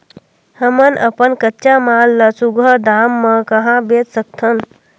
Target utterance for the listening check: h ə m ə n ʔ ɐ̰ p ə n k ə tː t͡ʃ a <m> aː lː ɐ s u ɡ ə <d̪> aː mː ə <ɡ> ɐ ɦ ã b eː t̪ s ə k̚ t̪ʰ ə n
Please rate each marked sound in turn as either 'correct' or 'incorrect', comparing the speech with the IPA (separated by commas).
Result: correct, correct, incorrect